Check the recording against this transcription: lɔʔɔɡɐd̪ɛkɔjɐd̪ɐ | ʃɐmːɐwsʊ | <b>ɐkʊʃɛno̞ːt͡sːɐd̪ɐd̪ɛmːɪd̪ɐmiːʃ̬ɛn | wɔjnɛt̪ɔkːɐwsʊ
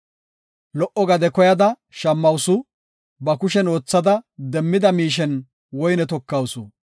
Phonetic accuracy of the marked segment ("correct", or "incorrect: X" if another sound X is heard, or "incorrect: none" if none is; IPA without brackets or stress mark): correct